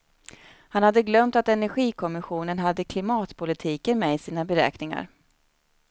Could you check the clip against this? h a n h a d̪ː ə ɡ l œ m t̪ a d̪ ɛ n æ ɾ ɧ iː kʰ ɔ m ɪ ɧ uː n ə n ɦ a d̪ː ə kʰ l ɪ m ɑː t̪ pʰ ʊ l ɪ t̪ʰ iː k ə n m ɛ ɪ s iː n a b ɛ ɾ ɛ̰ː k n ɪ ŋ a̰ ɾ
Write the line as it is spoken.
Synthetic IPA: h a n h a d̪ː ə ɡ l œ m t̪ a t̪ ɛ n æ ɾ ɧ iː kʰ ɔ m ɪ ɧ uː n ə n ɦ a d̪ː ə kʰ l ɪ m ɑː t̪ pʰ ʊ l ɪ t̪ʰ iː k ə n m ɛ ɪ s iː n a b ɛ ɾ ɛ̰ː k n ɪ ŋ a̰ ɾ